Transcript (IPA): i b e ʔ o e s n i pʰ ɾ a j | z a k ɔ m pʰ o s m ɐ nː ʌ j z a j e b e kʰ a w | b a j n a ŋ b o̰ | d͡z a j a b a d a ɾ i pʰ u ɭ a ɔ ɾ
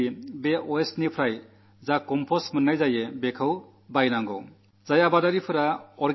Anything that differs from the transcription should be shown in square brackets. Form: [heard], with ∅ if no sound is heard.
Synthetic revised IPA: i b e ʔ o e s n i pʰ ɾ a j | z a k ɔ m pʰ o s m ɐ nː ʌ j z a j e b e kʰ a w | b a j n a ŋ [ɡ] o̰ | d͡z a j a b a d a ɾ i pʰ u [ɾ] a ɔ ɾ